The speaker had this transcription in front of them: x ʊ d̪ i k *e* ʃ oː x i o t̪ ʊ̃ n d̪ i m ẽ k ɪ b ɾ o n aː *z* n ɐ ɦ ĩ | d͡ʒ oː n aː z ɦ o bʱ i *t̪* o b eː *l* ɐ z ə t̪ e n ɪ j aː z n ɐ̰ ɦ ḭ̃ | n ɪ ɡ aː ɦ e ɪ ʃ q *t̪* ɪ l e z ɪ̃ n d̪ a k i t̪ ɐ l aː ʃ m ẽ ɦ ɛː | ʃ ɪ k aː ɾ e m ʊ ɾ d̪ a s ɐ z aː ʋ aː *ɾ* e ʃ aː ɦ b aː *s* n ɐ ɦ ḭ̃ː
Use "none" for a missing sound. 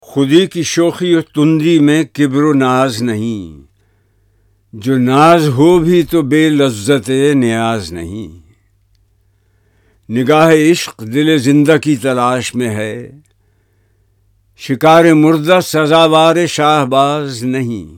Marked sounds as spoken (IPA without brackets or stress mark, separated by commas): i, z, t̪, l, d̪, ɾ, z